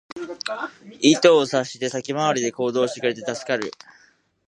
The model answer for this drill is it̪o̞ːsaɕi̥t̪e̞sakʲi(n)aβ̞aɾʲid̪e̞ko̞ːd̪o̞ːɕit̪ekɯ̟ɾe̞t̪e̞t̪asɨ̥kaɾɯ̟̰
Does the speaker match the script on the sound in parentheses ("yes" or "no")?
no